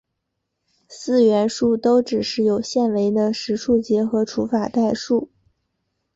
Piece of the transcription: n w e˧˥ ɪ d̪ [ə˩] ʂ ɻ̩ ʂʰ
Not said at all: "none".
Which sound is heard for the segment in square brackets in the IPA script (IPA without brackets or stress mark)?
ə˧